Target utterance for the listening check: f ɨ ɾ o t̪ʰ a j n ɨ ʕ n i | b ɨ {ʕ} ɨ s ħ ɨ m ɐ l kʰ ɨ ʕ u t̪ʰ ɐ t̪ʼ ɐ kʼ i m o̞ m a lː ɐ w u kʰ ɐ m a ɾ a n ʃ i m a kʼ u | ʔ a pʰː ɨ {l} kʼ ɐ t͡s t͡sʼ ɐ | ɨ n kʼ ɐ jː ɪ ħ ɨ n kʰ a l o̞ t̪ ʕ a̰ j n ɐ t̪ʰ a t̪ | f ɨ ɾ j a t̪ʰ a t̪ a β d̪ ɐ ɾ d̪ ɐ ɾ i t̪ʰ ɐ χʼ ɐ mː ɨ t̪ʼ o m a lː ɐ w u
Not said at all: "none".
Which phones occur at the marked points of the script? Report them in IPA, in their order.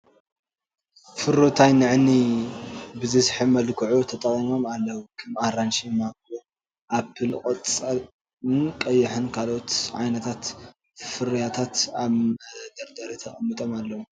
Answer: z, l

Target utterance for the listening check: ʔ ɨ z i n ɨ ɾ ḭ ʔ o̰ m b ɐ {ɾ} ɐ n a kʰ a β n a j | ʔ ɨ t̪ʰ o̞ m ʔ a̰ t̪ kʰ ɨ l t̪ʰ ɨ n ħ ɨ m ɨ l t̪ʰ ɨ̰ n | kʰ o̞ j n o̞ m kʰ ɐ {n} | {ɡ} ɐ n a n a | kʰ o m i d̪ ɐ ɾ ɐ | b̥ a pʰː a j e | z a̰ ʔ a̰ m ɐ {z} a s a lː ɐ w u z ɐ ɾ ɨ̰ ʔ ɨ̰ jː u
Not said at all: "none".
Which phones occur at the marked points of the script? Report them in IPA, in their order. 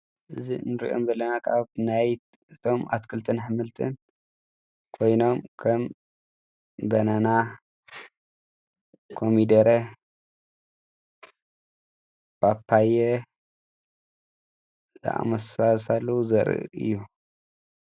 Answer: l, m, b, s

